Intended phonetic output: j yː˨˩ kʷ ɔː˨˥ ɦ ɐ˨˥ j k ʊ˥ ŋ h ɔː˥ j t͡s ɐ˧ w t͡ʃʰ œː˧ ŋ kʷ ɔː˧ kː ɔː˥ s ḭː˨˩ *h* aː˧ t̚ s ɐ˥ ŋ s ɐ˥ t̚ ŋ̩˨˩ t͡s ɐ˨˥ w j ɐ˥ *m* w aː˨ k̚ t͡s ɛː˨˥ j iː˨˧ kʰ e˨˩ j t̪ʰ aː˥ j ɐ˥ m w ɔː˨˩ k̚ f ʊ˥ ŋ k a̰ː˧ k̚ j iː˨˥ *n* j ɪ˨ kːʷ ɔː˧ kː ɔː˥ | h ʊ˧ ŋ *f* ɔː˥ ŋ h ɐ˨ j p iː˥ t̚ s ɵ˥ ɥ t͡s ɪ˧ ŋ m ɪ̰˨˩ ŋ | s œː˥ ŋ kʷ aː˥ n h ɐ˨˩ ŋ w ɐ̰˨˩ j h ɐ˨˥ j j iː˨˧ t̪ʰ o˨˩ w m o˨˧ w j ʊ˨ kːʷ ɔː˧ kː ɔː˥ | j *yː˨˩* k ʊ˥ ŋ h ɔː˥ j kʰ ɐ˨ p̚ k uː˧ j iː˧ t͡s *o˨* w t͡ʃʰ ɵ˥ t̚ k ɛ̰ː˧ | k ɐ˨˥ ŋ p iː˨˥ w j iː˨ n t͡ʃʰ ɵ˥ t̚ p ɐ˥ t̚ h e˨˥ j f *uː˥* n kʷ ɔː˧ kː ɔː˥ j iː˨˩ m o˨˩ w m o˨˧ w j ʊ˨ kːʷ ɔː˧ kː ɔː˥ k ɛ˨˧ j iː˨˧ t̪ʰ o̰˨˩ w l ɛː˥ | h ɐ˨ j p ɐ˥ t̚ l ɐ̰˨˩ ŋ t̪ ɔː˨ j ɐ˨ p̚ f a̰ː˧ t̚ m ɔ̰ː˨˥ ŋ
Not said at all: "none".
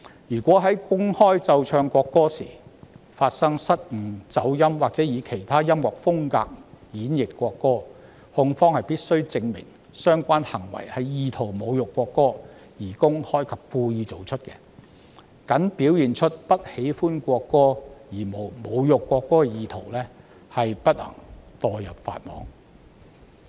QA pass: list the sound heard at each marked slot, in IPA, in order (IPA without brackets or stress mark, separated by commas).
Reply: f, m, n, f, iː˨˩, o˨, uː˥